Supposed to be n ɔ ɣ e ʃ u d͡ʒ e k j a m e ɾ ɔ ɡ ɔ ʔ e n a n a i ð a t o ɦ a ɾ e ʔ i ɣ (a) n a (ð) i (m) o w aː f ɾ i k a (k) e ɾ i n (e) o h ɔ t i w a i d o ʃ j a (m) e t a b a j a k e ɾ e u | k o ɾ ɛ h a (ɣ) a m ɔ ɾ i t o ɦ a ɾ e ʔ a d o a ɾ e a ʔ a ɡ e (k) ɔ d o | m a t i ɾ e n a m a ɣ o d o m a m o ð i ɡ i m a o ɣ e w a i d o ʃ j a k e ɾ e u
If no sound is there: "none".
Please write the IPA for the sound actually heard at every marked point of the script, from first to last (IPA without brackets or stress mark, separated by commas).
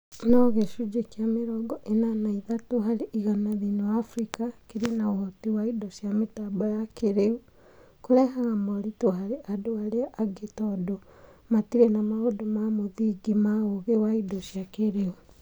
a, ð, n, k, a, m, ɣ, t